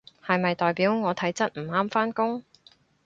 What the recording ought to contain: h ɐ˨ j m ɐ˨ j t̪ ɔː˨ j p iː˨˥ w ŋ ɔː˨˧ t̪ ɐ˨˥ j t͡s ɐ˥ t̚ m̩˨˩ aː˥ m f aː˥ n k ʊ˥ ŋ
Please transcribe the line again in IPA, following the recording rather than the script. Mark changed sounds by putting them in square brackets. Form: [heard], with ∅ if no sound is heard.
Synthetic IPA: h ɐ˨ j m ɐ˨ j t̪ ɔː˨ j p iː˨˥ w ŋ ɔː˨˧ [t̪ʰ] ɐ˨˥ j t͡s ɐ˥ t̚ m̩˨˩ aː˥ m f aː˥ n k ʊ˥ ŋ